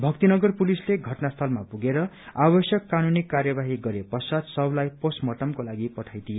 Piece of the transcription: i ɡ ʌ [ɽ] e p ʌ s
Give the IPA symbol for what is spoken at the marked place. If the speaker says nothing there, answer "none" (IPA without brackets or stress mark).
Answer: ɾ